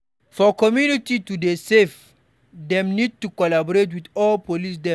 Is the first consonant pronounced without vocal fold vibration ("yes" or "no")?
yes